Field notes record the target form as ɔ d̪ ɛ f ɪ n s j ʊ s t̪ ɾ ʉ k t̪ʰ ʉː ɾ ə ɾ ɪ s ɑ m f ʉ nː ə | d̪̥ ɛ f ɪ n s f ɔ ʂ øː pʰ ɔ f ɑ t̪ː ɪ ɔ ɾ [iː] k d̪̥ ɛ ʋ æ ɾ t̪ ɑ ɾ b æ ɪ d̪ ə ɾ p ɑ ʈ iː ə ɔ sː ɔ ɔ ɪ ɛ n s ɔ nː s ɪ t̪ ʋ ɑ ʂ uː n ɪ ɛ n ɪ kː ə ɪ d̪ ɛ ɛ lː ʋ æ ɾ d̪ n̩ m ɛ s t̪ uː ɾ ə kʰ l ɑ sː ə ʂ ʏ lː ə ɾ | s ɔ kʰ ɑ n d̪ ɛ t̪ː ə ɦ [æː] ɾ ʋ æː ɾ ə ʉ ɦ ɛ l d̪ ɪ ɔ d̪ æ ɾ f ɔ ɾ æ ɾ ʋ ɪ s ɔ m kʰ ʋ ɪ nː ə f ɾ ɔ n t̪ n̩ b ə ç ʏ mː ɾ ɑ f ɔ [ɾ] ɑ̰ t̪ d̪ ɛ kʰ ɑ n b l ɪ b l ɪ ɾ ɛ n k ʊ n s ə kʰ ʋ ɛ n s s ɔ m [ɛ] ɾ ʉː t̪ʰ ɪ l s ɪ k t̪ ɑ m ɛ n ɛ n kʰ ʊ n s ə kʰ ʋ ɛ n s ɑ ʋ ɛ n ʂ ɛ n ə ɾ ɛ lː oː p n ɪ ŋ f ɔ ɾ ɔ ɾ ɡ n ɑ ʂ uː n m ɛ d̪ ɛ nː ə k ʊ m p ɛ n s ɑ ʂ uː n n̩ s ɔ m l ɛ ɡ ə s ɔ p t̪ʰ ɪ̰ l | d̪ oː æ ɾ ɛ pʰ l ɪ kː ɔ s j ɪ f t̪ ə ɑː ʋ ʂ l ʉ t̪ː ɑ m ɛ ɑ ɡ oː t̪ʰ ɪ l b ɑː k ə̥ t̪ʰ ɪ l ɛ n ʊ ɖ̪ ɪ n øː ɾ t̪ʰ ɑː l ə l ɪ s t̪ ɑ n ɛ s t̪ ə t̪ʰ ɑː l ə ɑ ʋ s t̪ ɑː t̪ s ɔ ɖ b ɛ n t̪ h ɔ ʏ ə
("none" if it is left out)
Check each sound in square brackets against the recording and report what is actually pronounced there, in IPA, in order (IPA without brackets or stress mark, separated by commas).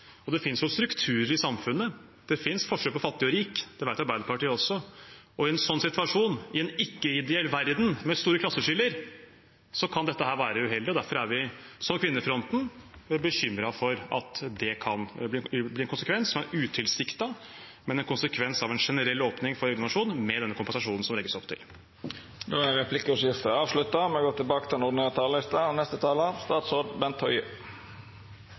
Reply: iː, æː, ɾ, æ